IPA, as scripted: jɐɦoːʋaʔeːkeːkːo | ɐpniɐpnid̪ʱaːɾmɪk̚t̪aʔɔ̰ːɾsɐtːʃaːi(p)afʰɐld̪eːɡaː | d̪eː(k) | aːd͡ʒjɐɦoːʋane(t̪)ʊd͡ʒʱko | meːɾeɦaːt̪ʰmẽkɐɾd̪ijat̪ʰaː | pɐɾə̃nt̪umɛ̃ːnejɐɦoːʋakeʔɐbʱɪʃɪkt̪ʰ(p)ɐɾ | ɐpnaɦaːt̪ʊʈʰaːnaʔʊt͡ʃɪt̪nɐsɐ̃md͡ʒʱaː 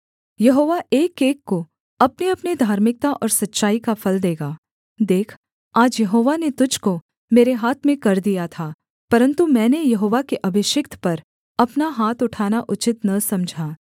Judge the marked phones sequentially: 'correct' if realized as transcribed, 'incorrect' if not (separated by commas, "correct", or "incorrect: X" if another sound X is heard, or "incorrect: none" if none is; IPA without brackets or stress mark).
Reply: incorrect: k, incorrect: kʰ, correct, correct